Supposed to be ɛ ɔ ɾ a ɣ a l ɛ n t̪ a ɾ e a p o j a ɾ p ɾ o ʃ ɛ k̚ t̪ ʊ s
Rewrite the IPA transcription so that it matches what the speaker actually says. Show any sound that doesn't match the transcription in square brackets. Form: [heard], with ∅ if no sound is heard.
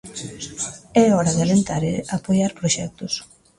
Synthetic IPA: ɛ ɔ ɾ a [ð] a l [e] n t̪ a ɾ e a p o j a ɾ p ɾ o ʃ ɛ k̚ t̪ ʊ s